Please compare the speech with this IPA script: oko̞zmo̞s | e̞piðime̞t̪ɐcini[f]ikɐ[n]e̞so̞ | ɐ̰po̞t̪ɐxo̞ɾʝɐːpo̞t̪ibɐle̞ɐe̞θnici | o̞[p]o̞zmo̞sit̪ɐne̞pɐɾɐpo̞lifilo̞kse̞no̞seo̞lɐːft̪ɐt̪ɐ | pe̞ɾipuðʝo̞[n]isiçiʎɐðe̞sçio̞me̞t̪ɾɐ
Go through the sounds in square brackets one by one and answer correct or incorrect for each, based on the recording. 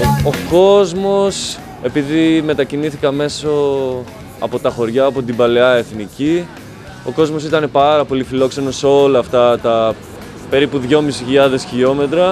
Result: incorrect: θ, incorrect: m, incorrect: k, incorrect: m

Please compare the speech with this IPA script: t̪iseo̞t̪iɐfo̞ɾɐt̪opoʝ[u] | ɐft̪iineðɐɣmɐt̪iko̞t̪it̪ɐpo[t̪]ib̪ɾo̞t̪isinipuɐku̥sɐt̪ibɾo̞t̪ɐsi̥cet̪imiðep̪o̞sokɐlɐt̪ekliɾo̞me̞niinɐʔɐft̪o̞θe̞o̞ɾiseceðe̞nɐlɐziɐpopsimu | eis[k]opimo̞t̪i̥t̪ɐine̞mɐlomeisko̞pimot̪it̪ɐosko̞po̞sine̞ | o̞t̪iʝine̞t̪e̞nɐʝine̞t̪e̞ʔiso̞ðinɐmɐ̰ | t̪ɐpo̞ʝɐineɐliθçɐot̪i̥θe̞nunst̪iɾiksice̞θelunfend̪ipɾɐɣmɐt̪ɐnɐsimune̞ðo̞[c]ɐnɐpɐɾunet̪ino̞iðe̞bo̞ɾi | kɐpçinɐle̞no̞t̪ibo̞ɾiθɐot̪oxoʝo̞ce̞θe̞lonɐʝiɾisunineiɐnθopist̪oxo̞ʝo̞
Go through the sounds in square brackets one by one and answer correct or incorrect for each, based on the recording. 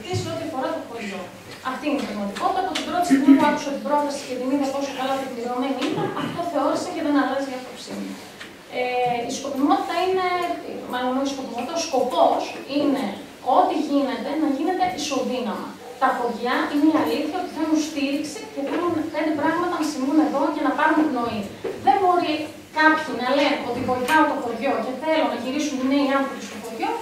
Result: incorrect: o, correct, correct, correct

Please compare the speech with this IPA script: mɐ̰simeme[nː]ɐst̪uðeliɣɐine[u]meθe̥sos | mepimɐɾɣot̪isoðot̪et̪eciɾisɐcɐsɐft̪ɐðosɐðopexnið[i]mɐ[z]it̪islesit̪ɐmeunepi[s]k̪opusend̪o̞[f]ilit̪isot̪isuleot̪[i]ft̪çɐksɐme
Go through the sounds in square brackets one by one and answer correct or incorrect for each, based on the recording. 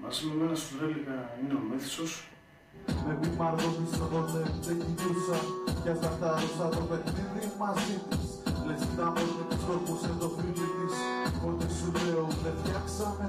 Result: incorrect: n, incorrect: o, correct, correct, correct, correct, incorrect: e

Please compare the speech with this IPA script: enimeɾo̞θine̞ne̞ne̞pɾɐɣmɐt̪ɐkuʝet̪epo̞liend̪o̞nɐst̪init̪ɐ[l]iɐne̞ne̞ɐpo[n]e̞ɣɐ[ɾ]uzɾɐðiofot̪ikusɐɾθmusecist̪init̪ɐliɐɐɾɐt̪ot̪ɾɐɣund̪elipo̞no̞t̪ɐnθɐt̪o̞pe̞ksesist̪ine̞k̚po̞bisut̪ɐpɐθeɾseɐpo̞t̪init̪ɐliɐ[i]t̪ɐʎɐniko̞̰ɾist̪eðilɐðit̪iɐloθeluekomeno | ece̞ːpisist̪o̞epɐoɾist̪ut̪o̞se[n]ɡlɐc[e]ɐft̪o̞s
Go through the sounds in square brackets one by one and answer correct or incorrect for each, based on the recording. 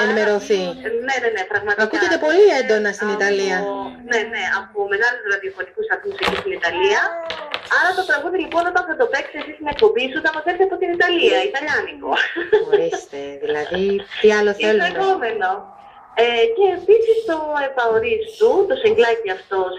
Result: correct, incorrect: m, incorrect: l, correct, incorrect: ŋ, incorrect: i

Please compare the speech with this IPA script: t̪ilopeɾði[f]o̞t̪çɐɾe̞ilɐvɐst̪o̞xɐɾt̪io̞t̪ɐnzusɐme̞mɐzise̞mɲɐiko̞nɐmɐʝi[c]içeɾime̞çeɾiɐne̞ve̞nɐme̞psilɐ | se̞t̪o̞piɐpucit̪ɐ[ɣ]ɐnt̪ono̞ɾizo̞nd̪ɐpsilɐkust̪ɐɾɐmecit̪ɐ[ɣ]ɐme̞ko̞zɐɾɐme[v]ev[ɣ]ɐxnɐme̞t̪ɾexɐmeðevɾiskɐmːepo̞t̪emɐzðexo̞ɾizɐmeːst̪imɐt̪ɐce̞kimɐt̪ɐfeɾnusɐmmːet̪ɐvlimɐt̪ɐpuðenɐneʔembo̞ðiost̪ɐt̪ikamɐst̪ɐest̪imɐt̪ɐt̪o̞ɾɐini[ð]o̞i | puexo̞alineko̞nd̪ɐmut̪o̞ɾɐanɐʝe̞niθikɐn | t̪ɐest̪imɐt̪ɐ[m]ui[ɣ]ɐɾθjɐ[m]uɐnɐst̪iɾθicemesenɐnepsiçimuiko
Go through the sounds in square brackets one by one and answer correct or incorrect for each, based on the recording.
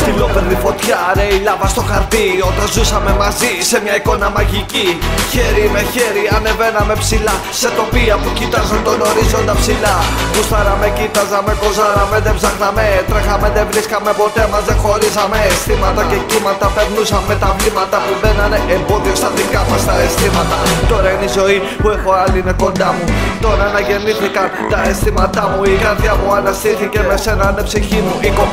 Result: correct, correct, incorrect: z, incorrect: z, incorrect: ð, incorrect: z, incorrect: z, correct, correct, correct

